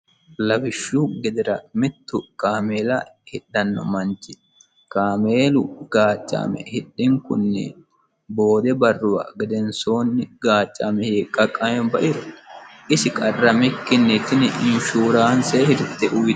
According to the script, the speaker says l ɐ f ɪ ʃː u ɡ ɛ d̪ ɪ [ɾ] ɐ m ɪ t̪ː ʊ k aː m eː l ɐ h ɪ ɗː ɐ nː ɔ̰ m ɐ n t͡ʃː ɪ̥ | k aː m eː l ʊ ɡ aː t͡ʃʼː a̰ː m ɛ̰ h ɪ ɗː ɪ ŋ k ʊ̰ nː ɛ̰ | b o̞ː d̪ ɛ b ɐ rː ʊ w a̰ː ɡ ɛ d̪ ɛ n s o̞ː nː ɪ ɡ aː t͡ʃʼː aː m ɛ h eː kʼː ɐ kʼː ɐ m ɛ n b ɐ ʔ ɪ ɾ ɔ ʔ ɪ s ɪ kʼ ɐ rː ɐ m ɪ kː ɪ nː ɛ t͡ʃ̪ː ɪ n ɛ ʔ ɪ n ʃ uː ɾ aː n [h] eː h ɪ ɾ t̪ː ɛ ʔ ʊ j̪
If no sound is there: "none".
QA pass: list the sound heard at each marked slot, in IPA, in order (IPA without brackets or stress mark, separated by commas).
ɾ, s